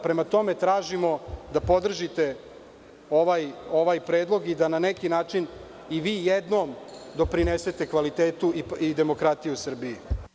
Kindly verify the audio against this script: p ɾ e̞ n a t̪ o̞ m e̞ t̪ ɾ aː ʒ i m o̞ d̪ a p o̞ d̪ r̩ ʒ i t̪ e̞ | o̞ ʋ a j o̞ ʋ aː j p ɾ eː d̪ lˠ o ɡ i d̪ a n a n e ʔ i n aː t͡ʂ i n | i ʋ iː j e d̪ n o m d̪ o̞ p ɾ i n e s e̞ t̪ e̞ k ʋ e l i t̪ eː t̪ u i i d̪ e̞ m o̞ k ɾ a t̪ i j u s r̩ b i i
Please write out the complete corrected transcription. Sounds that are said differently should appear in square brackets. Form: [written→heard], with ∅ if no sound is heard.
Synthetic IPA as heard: p ɾ e̞ [n→m] a t̪ o̞ m e̞ t̪ ɾ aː ʒ i m o̞ d̪ a p o̞ d̪ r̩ ʒ i t̪ e̞ | o̞ ʋ a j o̞ ʋ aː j p ɾ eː d̪ lˠ o ɡ i d̪ a n a n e [ʔ→k] i n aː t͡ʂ i n | i ʋ iː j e d̪ n o m d̪ o̞ p ɾ i n e s e̞ t̪ e̞ k ʋ [e→a] l i t̪ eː t̪ u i i d̪ e̞ m o̞ k ɾ a t̪ i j u s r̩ b i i